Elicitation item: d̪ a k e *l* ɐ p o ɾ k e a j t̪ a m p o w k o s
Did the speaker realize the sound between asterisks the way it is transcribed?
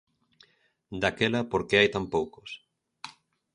yes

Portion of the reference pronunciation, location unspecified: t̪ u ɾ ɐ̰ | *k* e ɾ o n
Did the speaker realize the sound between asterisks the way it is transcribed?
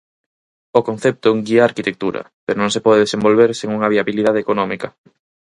no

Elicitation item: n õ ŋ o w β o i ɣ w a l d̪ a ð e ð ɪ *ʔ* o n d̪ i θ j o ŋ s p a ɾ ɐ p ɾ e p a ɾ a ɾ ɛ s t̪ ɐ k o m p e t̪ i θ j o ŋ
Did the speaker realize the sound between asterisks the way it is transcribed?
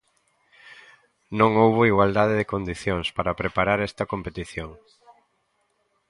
no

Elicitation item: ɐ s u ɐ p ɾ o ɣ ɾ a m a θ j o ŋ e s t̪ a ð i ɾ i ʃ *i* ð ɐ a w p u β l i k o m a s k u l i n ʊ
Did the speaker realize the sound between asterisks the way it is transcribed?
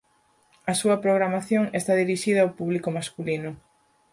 yes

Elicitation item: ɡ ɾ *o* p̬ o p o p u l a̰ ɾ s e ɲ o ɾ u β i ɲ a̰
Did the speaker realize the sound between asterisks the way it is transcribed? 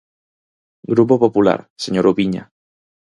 no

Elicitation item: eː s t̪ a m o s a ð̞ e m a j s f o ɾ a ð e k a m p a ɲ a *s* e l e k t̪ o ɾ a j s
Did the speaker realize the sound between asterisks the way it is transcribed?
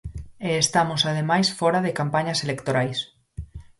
yes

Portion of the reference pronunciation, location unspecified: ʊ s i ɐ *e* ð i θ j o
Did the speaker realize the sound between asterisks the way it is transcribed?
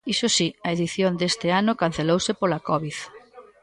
yes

